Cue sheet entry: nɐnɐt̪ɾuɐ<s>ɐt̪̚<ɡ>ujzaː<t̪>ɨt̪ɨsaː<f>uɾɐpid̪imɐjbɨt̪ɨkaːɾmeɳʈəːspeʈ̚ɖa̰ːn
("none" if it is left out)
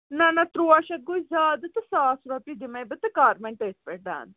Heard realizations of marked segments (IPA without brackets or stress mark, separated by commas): ʃ, ɡ, d̪, s